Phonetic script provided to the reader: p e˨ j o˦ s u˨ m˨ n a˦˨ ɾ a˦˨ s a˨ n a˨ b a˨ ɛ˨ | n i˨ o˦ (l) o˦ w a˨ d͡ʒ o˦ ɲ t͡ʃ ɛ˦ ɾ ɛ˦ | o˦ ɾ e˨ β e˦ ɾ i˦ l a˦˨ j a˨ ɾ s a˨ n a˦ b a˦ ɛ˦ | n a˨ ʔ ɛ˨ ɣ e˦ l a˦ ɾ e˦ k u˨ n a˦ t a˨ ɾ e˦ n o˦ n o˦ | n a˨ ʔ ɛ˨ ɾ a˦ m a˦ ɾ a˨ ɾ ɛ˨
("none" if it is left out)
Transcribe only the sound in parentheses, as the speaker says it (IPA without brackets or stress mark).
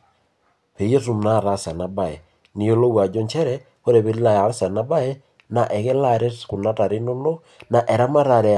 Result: l